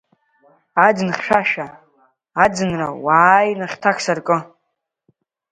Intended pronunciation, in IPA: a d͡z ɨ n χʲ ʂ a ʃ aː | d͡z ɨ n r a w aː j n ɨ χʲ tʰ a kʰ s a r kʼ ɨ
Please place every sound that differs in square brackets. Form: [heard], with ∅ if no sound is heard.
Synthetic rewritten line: a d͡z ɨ n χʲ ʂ a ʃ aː | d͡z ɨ n r a w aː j n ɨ χʲ tʰ a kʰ s a r kʼ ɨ

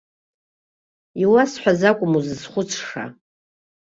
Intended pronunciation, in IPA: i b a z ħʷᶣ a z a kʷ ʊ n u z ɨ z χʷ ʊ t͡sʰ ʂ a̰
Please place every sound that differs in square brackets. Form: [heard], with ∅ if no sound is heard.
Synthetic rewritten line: i [w] a [s] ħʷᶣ a z a [kʷʼ] ʊ [m] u z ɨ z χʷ ʊ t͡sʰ ʂ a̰

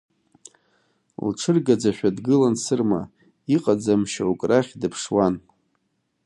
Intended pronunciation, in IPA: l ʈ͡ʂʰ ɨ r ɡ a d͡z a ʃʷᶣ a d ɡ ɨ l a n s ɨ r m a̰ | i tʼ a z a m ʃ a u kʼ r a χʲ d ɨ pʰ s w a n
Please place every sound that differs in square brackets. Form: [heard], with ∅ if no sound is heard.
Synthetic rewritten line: l ʈ͡ʂʰ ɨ r ɡ a d͡z a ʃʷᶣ a d ɡ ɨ l a n s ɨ r m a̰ | i [qʼ] a [d͡z] a m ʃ a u kʼ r a χʲ d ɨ pʰ [ʂ] w a n

